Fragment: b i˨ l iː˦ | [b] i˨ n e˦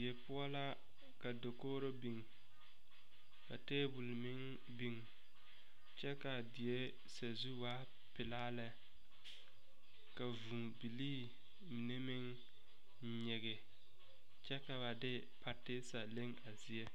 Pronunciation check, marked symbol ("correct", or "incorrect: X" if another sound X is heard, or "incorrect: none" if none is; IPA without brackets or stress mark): incorrect: m